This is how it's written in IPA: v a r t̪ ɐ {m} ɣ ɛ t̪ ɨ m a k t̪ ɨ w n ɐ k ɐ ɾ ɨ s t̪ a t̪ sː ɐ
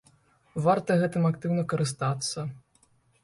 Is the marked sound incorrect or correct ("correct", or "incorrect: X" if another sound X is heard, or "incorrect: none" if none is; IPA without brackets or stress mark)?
incorrect: none